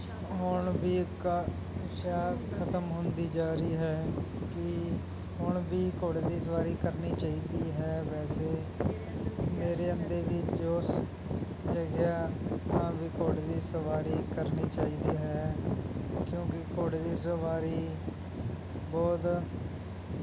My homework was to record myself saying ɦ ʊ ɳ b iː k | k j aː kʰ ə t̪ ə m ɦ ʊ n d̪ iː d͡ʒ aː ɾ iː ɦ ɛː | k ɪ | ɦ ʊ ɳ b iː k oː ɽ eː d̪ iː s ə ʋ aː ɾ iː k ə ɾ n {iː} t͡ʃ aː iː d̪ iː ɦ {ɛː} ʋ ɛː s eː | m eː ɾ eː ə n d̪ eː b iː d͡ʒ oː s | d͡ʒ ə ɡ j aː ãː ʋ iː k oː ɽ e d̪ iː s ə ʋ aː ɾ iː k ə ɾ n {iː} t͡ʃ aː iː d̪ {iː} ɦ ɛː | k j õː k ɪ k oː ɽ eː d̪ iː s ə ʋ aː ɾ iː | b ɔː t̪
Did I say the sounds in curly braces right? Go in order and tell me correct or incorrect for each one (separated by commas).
correct, correct, correct, correct